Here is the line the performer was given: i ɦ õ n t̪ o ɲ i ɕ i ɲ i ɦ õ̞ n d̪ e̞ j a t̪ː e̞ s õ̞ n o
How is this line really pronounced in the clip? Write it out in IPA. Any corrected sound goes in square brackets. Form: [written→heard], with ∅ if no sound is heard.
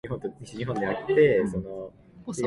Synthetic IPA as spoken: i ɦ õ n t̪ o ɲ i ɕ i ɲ i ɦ õ̞ n d̪ e̞ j a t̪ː e̞ s [õ̞→o̞] n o